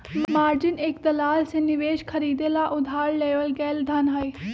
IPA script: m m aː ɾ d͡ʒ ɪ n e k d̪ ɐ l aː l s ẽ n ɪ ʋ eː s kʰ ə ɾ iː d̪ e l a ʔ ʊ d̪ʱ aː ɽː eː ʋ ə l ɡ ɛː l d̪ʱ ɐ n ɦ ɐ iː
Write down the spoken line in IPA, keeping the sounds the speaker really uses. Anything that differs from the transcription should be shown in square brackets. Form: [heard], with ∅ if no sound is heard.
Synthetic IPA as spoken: m m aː ɾ d͡ʒ ɪ n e k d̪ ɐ l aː l s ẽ n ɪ ʋ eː [ʃ] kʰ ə ɾ iː d̪ e l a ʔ ʊ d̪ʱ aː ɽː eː ʋ ə l ɡ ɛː l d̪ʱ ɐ n ɦ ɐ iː